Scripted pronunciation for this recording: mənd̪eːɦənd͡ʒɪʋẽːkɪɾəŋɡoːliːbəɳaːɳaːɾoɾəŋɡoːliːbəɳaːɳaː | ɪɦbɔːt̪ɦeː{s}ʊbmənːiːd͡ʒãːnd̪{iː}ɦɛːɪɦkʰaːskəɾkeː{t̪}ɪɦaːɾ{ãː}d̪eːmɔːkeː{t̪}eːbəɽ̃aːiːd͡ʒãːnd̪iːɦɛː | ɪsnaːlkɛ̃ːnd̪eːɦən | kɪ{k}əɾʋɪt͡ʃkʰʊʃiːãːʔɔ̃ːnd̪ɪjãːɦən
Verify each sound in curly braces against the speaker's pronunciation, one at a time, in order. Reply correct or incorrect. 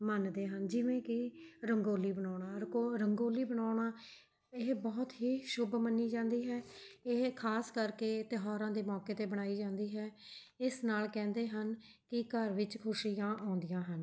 incorrect, correct, correct, correct, correct, correct

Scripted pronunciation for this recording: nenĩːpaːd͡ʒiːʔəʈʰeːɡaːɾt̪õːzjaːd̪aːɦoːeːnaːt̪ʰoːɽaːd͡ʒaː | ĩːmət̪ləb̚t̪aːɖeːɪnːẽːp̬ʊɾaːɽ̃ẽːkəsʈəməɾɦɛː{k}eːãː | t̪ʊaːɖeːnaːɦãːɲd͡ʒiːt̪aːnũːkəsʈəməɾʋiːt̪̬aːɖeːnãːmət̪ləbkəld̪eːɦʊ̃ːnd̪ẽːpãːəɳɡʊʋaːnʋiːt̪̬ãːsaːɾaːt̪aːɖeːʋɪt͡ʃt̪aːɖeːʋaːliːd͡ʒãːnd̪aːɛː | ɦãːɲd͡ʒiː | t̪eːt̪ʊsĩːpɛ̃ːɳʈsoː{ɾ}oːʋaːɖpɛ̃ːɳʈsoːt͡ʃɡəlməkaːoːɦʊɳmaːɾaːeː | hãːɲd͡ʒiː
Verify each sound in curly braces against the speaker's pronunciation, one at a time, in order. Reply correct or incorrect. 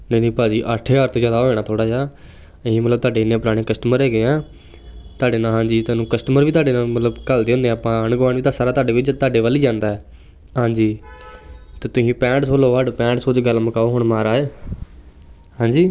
incorrect, incorrect

